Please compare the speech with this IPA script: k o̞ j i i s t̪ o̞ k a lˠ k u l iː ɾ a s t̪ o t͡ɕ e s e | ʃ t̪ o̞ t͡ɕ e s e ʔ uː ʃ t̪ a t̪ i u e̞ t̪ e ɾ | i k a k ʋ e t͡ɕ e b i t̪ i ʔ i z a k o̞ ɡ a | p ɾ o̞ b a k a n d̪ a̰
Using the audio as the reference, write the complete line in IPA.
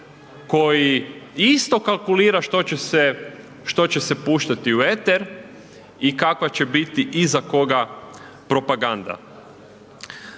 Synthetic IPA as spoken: k o̞ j i i s t̪ o̞ k a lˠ k u l iː ɾ a ʃ t̪ o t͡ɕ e s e | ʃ t̪ o̞ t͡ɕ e s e p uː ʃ t̪ a t̪ i u e̞ t̪ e ɾ | i k a k ʋ a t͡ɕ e b i t̪ i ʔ i z a k o̞ ɡ a | p ɾ o̞ p a ɡ a n d̪ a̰